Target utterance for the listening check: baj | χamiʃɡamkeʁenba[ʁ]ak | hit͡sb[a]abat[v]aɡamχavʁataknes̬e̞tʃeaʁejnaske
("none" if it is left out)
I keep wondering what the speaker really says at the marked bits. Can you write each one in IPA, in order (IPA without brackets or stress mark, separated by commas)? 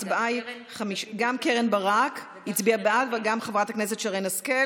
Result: ʁ, i, v